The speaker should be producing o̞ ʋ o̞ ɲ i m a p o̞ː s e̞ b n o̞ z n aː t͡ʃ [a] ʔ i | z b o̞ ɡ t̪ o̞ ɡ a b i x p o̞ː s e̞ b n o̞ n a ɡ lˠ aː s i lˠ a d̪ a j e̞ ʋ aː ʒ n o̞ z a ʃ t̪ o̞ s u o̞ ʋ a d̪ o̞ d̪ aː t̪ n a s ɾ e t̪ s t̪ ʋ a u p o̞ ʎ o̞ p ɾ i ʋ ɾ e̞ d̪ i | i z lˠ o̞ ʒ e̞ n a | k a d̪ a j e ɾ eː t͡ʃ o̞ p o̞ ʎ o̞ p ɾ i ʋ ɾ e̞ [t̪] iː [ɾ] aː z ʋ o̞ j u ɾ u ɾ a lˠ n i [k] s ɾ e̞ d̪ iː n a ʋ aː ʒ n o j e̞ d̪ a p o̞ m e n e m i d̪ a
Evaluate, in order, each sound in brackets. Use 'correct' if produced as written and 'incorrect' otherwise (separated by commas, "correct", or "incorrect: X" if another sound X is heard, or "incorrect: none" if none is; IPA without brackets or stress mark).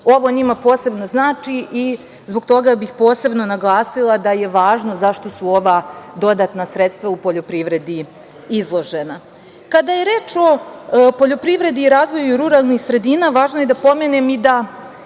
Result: incorrect: i, incorrect: d̪, correct, incorrect: x